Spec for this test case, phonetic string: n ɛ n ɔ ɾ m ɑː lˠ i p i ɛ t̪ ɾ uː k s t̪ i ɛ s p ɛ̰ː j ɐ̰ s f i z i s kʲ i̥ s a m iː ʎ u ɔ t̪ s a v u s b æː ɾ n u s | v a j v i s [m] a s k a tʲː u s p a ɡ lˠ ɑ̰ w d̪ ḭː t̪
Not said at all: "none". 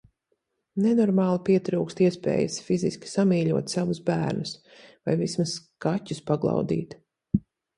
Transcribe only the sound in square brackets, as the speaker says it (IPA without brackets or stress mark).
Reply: m